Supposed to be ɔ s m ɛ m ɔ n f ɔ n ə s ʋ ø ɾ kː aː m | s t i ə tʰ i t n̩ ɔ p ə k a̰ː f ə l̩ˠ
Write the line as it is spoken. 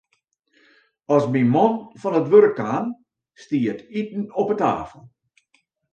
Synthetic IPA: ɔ s m i m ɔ n f ɔ n ə t ʋ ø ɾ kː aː n | s t i ə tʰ i t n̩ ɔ p ə t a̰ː f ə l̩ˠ